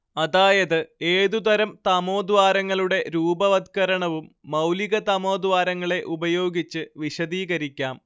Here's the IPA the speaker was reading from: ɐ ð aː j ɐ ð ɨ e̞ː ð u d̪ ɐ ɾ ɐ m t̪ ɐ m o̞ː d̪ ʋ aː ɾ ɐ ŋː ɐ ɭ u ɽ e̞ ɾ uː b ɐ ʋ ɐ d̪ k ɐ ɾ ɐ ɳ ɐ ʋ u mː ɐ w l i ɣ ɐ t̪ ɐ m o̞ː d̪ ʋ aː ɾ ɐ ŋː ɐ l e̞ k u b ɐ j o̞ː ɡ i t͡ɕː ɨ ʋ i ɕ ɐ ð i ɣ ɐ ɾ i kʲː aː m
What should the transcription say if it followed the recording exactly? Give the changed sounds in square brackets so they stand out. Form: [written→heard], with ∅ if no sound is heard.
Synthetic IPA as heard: ɐ ð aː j ɐ ð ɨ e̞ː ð u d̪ ɐ ɾ ɐ m t̪ ɐ m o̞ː d̪ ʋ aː ɾ ɐ ŋː ɐ ɭ u ɽ e̞ ɾ uː b ɐ ʋ ɐ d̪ k ɐ ɾ ɐ ɳ ɐ ʋ u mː ɐ w l i ɣ ɐ t̪ ɐ m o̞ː d̪ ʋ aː ɾ ɐ ŋː ɐ [l→ɭ] e̞ [k→ʔ] u b ɐ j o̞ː ɡ i t͡ɕː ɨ ʋ i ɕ ɐ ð [i→iː] ɣ ɐ ɾ i kʲː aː m